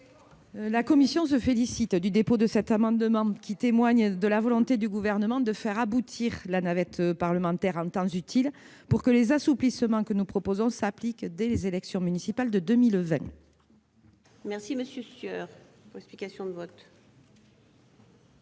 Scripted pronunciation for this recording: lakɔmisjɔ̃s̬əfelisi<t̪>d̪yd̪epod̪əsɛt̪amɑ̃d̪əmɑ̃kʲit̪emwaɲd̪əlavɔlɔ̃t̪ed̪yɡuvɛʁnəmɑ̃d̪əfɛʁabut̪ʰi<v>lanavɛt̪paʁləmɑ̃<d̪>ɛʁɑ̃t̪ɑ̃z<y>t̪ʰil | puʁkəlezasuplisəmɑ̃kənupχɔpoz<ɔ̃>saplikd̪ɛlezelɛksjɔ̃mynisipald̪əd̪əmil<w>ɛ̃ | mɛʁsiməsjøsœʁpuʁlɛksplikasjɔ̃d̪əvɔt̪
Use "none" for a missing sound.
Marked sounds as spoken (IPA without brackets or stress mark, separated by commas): t̪, ʁ, t̪, y, ɔ̃, v